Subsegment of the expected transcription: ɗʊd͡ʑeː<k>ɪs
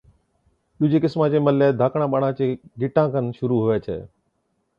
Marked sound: correct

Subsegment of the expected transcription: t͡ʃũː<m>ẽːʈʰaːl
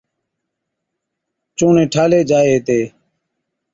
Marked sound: incorrect: n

